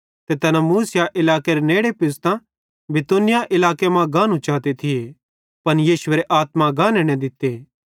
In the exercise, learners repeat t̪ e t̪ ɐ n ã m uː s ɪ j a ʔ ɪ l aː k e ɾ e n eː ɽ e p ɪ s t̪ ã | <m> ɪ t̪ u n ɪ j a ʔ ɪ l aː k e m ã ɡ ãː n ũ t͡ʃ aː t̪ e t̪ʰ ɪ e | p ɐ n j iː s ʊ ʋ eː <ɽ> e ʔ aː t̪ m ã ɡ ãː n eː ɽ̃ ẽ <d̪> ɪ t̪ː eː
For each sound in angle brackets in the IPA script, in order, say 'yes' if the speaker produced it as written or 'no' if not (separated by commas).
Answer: no, no, yes